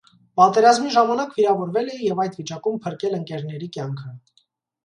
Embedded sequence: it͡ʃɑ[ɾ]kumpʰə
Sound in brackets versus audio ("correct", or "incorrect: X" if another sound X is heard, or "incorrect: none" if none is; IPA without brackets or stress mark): incorrect: none